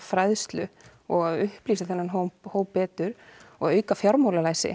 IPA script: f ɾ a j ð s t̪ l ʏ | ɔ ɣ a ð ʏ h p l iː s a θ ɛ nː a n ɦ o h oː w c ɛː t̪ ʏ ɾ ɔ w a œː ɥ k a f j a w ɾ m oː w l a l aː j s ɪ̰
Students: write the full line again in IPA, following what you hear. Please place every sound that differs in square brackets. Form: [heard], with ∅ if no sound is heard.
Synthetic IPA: f ɾ a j ð s t̪ l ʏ | ɔ ɣ a ð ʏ h p l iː s a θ ɛ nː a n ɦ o h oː w [p] ɛː t̪ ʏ ɾ ɔ [ɣ] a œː ɥ k a f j a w ɾ m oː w l a l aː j s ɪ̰